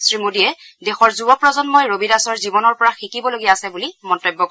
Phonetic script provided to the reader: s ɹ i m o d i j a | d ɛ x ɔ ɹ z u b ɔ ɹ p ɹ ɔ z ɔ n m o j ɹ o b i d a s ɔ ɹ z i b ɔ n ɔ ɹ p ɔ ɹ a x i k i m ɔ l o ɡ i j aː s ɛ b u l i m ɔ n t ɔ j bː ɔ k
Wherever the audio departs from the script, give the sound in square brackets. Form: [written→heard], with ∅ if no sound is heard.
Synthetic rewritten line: s ɹ i m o d i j [a→ɛ] | d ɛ x ɔ ɹ z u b ɔ [ɹ→∅] p ɹ ɔ z ɔ n m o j ɹ o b i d a s ɔ ɹ z i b ɔ n ɔ ɹ p ɔ ɹ a x i k i [m→b] ɔ l o ɡ i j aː s ɛ b u l i m ɔ n t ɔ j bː ɔ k